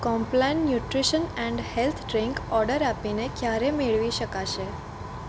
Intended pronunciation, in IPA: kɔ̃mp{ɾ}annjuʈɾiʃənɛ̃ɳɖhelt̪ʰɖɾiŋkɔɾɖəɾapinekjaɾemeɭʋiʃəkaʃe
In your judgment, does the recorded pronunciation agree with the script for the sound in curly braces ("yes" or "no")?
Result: no